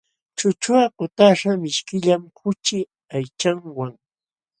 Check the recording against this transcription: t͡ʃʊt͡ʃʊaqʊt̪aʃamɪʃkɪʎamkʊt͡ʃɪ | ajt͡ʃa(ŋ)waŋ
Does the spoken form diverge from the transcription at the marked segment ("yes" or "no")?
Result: no